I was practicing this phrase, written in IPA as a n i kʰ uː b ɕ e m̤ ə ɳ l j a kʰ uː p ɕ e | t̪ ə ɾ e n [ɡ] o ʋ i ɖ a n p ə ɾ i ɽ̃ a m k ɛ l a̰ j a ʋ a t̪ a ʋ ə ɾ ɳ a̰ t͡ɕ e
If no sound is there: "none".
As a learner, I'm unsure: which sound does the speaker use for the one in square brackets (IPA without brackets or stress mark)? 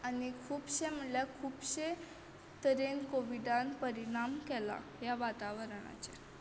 k